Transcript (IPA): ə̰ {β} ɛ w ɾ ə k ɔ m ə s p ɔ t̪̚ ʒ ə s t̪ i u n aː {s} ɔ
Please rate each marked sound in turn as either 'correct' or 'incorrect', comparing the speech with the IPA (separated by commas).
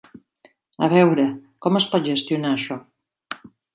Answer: correct, incorrect